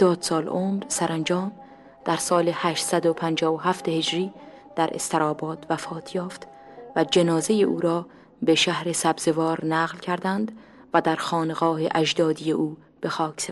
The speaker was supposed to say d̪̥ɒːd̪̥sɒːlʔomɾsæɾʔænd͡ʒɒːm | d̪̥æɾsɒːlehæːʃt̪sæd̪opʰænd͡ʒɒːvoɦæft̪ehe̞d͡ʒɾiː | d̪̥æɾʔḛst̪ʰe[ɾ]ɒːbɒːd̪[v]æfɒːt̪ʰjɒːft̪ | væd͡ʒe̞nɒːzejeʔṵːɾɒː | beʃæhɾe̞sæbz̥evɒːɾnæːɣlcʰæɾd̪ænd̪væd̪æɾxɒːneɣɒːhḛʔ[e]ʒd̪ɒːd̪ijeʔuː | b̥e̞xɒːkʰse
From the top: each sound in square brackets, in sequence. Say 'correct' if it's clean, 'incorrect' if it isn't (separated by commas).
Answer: correct, correct, incorrect